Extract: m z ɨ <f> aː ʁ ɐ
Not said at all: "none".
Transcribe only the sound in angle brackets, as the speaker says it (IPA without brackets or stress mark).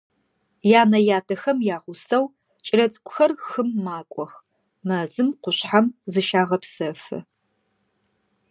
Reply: ʃ